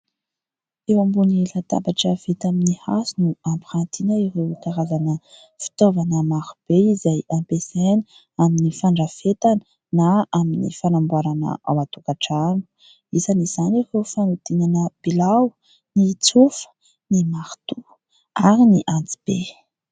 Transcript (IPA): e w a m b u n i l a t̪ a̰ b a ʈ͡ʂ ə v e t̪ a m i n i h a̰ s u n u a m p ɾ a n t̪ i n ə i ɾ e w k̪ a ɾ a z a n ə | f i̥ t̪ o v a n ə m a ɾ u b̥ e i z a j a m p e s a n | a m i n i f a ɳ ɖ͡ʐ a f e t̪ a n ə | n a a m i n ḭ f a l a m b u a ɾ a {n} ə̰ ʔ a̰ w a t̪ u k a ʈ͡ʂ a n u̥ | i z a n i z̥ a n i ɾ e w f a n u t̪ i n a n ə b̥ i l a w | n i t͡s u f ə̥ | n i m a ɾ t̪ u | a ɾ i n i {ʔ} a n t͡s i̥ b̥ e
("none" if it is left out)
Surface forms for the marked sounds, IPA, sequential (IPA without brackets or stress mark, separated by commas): n, ʔ